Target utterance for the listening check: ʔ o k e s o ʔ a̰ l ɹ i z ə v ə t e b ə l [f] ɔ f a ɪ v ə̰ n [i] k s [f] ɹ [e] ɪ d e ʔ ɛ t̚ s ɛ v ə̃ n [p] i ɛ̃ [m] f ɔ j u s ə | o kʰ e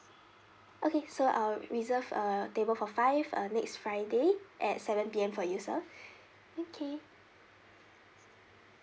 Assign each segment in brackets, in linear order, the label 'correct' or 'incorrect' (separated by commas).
correct, incorrect, correct, incorrect, correct, correct